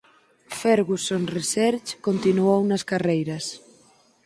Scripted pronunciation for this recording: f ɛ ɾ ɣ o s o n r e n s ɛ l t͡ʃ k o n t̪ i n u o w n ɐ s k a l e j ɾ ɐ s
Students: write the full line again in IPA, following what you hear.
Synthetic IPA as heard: f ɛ ɾ ɣ u s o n r e s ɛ ɾ t͡ʃ k o n t̪ i n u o w n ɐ s k a r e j ɾ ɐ s